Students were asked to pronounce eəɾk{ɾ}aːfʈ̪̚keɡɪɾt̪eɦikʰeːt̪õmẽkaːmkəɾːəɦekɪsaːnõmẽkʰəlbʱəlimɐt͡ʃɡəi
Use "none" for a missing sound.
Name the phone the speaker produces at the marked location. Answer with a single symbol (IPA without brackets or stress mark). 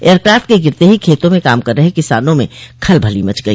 ɾ